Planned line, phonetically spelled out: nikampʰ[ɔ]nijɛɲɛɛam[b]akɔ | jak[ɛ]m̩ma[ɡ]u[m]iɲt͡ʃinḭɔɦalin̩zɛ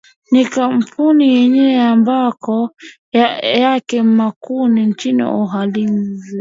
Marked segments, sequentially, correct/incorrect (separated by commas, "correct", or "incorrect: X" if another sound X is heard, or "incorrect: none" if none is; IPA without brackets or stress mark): incorrect: u, correct, correct, incorrect: k, incorrect: n